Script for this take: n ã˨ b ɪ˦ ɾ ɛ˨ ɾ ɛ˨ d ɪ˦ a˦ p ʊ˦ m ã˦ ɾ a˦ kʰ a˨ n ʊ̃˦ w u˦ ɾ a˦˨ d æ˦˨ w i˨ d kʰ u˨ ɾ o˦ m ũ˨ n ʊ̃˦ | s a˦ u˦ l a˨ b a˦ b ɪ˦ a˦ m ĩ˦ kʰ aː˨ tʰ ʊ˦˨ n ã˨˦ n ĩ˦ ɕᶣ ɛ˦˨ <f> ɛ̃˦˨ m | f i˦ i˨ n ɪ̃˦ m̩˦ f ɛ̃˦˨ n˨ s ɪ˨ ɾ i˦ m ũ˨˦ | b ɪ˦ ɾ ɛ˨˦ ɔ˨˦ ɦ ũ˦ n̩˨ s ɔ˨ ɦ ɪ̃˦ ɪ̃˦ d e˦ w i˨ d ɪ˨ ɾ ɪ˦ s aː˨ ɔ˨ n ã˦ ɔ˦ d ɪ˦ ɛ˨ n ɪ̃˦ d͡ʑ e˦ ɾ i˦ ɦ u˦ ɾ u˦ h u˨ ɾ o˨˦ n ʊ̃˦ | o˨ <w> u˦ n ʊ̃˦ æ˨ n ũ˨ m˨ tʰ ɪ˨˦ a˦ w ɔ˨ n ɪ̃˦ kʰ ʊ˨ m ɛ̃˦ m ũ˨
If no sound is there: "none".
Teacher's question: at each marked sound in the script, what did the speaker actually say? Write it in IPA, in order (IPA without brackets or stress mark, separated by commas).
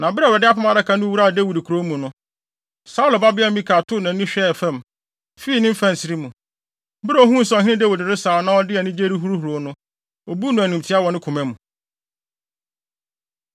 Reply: f, b